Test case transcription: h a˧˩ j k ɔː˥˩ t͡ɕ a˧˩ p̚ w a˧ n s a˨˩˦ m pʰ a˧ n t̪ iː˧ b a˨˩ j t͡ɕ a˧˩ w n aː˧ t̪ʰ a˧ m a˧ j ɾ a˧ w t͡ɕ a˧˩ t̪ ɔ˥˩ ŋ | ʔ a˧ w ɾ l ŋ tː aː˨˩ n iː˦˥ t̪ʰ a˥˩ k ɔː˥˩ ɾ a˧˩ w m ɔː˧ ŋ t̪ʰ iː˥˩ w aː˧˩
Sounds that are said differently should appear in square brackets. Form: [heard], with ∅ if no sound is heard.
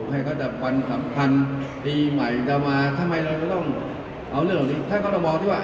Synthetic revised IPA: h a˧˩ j k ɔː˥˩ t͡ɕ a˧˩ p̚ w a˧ n s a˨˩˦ m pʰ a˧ n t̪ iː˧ [m] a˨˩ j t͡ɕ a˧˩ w [m] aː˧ t̪ʰ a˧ m a˧ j ɾ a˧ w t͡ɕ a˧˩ t̪ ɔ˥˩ ŋ | ʔ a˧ w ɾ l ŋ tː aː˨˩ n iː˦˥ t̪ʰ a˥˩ k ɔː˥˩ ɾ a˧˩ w m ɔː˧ ŋ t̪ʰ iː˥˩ w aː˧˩

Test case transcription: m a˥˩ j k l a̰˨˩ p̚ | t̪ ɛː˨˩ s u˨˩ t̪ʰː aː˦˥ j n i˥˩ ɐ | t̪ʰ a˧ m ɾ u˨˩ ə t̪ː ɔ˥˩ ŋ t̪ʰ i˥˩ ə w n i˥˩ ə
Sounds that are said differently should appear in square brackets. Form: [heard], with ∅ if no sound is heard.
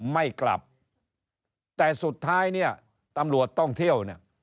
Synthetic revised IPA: m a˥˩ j k l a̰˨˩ p̚ | t̪ ɛː˨˩ s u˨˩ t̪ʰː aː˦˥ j n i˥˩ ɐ | [t̪] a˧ m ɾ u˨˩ ə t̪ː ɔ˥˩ ŋ t̪ʰ i˥˩ ə w n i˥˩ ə

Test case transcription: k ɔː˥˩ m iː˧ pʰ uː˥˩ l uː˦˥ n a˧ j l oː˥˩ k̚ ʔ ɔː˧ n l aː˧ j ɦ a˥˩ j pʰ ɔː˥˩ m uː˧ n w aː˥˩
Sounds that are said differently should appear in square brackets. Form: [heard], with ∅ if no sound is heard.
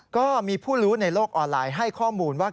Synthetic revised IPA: k ɔː˥˩ m iː˧ pʰ uː˥˩ [ɾ] uː˦˥ n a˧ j l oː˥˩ k̚ ʔ ɔː˧ n l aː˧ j ɦ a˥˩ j [kʰ] ɔː˥˩ m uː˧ n w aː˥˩

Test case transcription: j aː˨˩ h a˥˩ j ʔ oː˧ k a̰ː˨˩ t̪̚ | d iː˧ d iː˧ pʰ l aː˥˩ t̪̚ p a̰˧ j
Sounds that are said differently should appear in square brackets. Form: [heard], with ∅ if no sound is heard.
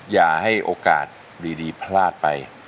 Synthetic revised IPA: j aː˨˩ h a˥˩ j ʔ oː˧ k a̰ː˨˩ t̪̚ | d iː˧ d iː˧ pʰ l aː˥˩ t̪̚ p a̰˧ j

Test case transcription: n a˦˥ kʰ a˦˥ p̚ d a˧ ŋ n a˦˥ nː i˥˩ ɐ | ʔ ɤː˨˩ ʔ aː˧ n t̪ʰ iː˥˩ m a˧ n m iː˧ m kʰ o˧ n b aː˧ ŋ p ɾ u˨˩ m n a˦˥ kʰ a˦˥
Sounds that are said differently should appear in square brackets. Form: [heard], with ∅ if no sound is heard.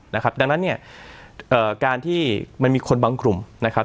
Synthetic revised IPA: n a˦˥ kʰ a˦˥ p̚ d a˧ ŋ n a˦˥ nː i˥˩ ɐ | ʔ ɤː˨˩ [k] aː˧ n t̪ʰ iː˥˩ m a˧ n m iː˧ [∅] kʰ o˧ n b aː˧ ŋ [k] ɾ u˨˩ m n a˦˥ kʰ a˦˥

